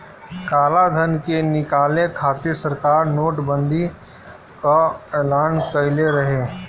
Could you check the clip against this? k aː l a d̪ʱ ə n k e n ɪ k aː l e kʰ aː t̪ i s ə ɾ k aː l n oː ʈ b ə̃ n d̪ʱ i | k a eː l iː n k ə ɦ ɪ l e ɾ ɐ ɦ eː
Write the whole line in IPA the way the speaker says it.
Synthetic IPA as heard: k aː l a d̪ʱ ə n k e n ɪ k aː l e kʰ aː t̪ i s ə ɾ k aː ɾ n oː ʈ b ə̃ n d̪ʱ i | k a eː l aː n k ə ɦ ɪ l e ɾ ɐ ɦ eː